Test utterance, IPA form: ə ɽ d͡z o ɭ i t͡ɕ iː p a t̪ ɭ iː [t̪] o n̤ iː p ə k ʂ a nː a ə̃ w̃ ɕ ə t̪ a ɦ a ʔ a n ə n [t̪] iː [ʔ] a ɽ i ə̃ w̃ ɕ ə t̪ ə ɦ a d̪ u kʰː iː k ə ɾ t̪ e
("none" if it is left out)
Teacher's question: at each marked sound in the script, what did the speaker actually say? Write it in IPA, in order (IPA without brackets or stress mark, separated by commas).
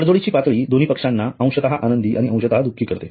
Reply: d̪, d̪, ʔ